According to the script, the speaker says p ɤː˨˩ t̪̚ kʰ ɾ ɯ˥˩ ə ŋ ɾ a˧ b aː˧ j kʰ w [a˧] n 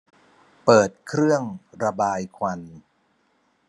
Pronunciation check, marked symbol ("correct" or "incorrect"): correct